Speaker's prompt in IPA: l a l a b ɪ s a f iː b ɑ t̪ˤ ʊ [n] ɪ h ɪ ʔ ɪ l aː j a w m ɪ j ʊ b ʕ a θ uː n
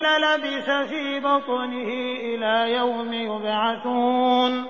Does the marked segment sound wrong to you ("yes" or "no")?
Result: no